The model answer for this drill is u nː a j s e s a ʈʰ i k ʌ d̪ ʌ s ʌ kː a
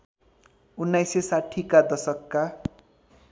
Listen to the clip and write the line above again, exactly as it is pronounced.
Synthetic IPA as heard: u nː a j s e s a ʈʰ i k a d̪ ʌ s ʌ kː a